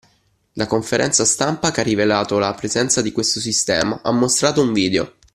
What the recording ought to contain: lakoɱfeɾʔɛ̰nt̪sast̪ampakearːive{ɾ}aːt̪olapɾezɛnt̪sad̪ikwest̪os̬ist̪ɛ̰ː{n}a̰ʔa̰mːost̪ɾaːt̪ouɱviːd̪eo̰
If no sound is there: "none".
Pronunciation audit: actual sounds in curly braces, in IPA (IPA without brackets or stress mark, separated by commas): l, m